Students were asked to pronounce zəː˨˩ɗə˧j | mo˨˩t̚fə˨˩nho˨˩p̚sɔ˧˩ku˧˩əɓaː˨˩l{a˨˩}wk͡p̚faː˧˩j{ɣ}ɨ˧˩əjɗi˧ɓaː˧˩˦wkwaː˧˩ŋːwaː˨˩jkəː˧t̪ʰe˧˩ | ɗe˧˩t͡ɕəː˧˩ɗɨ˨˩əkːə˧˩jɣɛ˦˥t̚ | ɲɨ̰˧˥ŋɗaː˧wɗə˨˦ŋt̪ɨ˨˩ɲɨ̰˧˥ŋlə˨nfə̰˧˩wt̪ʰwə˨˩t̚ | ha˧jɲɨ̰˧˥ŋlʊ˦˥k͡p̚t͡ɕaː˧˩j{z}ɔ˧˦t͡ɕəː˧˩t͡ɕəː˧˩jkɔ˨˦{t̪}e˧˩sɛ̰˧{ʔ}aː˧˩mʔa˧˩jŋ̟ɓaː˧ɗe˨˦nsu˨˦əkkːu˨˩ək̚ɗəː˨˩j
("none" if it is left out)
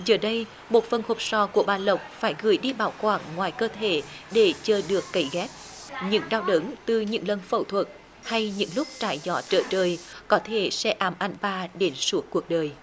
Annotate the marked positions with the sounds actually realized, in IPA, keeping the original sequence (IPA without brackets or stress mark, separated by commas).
ə˨˩, ɣ, z, t̪ʰ, ʔ